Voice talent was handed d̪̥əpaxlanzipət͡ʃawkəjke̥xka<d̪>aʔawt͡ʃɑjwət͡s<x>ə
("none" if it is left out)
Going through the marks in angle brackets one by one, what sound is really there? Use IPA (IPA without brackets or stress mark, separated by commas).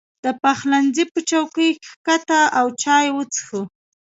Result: t̪, x